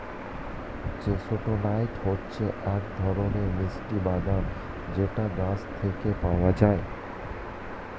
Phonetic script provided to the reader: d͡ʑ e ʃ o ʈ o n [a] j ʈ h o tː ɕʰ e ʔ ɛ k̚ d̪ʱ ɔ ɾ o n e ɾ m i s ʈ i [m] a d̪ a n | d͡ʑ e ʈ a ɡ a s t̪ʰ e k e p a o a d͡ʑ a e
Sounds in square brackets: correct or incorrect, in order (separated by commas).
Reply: correct, incorrect